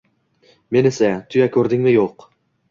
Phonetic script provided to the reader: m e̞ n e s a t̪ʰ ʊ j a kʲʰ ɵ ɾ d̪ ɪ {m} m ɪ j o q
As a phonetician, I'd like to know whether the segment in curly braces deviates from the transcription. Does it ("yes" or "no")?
yes